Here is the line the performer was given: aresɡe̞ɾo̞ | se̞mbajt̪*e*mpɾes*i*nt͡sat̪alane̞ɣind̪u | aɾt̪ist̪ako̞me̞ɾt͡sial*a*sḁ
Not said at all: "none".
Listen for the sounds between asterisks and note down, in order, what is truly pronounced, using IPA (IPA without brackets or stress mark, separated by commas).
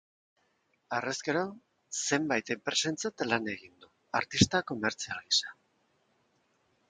e, e, i